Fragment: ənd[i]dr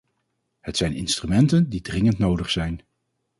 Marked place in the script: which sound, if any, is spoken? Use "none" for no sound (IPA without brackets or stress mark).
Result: i